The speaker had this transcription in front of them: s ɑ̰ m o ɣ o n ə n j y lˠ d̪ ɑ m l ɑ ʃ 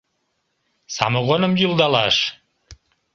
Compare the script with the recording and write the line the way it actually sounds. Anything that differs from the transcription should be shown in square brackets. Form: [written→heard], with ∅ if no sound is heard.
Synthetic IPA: s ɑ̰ m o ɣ o n ə [n→m] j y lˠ d̪ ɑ [m→∅] l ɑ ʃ